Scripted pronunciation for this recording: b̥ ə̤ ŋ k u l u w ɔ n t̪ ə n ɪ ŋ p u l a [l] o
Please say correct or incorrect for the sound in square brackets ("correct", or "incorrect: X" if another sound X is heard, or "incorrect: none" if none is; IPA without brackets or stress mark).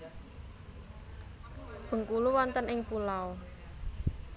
incorrect: none